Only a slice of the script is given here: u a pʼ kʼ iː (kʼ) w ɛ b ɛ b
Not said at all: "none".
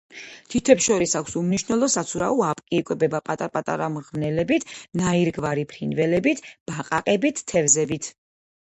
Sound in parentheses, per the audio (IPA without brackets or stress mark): kʼ